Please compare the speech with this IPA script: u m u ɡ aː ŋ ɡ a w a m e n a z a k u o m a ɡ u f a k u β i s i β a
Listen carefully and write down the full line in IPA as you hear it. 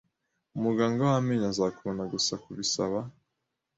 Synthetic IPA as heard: u m u ɡ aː ŋ ɡ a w a m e ɲ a z a k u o n a ɡ u s a k u β i s a β a